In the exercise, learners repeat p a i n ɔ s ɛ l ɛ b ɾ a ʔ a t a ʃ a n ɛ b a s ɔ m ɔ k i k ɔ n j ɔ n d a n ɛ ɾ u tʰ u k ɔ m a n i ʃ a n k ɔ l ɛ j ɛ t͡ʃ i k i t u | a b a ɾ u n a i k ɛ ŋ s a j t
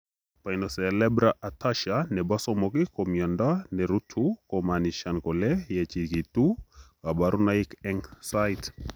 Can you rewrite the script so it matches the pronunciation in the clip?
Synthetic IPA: p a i n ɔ s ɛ l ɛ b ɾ a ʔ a t a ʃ a n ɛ b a s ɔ m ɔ k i k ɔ m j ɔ n d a n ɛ ɾ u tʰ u k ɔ m a n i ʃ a n k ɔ l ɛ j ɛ t͡ʃ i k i t u | a b a ɾ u n a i k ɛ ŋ s a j t